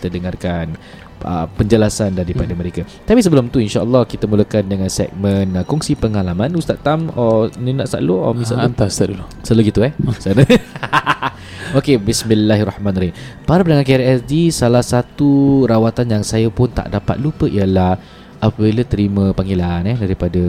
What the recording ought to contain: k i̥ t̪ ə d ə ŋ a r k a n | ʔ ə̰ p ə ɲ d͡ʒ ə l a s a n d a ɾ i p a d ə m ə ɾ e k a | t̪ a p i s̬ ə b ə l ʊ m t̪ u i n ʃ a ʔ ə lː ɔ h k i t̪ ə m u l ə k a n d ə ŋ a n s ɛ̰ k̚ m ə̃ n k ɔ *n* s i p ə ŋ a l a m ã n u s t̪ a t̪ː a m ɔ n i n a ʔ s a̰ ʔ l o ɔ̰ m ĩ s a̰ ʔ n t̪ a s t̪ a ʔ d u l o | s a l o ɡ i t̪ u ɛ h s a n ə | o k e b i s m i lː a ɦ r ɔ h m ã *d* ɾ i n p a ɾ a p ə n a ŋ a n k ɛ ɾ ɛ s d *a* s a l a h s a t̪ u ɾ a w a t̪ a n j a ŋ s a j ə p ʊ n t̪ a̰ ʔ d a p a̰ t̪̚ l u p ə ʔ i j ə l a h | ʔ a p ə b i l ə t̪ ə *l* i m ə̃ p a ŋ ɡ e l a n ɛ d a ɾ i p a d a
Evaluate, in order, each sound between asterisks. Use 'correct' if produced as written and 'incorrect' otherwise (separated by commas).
incorrect, incorrect, incorrect, incorrect